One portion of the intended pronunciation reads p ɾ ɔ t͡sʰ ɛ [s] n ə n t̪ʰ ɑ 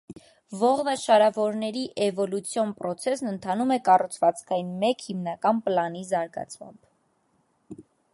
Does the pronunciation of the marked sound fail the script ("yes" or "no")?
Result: no